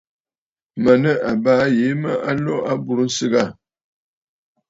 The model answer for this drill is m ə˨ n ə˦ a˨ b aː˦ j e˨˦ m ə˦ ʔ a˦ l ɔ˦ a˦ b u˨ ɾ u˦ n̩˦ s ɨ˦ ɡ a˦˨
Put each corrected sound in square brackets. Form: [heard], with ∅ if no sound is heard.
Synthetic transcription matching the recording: m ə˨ n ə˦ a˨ b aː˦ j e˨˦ m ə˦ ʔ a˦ l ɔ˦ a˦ b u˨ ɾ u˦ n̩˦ s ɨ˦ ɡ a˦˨